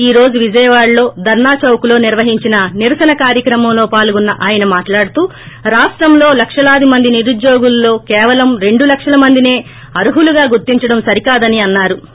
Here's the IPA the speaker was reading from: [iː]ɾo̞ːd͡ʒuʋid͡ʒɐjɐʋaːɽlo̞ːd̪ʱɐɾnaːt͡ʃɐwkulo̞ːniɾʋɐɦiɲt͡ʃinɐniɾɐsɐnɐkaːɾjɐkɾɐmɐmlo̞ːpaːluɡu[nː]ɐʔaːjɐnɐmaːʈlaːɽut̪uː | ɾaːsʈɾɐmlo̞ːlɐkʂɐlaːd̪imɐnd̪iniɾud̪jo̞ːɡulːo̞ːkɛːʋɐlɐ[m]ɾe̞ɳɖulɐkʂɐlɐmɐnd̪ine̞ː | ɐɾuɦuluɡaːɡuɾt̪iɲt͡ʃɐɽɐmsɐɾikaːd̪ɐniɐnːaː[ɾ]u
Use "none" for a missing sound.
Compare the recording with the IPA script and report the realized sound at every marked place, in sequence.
iː, nː, m, ɾ

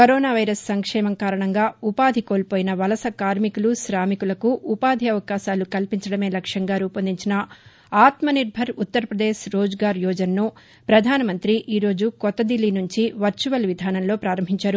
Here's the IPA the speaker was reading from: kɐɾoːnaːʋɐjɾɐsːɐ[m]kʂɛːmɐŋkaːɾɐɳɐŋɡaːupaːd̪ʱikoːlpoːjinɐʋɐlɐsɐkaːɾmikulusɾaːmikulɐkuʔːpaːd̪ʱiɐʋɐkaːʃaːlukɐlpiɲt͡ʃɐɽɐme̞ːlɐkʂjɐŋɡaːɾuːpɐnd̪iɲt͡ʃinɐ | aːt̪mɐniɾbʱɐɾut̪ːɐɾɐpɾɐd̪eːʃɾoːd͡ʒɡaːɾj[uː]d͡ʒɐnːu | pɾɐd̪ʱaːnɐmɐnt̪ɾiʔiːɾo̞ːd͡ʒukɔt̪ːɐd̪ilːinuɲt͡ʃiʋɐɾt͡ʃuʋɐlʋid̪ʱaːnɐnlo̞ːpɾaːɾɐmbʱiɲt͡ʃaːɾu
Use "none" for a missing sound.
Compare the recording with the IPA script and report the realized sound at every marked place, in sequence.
ŋ, ɔː

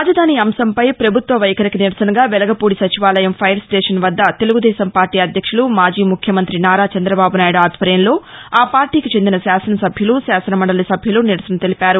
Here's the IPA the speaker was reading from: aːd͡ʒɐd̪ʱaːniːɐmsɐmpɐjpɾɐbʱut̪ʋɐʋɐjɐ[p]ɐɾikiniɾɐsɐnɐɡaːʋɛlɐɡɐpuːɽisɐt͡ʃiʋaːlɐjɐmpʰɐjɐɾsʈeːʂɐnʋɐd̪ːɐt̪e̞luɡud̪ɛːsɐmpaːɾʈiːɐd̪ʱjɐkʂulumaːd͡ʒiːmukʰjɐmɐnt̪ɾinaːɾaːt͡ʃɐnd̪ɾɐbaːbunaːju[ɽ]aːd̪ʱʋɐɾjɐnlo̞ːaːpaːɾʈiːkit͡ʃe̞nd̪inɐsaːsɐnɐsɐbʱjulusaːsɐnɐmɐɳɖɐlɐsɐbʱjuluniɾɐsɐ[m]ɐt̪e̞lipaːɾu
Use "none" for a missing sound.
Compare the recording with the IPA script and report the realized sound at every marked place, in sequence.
k, ɽ, n

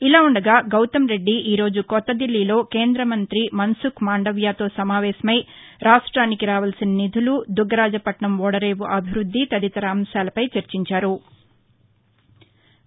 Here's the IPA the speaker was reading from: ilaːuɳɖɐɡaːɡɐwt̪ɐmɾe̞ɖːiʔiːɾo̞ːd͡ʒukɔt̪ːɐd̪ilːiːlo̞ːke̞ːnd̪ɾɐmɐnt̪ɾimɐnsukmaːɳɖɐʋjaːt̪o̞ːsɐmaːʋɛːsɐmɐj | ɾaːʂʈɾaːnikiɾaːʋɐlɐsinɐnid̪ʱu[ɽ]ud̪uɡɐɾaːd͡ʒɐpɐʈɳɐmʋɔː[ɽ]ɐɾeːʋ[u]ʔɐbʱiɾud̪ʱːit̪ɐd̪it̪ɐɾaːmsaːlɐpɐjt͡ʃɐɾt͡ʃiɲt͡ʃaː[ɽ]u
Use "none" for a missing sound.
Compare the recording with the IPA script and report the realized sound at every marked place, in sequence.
l, ɽ, u, ɾ

